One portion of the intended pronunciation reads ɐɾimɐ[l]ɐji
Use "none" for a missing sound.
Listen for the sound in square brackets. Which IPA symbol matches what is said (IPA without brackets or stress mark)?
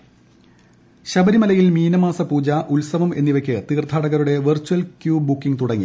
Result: l